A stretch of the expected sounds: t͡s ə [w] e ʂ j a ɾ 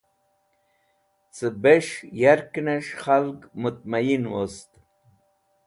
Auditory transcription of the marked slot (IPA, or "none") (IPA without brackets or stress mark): b